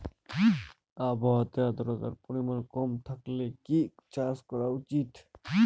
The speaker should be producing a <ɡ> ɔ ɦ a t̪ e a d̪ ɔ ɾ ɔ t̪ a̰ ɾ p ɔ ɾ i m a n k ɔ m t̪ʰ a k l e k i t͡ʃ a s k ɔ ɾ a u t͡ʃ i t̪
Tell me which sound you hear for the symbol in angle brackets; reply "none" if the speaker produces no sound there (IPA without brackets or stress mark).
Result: b